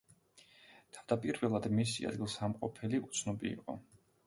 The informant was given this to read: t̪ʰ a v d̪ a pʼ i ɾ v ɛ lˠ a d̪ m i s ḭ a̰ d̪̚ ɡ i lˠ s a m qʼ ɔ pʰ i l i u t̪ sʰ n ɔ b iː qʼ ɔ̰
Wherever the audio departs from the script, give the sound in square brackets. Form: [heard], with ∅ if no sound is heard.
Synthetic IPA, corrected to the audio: t̪ʰ a v d̪ a pʼ i ɾ v ɛ lˠ a d̪ m i s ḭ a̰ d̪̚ ɡ i lˠ s a m qʼ ɔ pʰ [ɛ] l i u t̪ sʰ n ɔ b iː qʼ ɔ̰